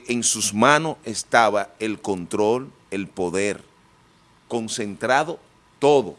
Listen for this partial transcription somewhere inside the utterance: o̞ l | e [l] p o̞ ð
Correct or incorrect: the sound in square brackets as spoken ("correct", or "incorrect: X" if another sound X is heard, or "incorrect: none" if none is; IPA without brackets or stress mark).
correct